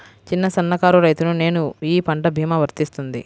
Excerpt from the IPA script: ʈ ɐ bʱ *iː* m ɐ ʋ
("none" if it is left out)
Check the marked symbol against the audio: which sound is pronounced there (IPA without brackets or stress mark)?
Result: iː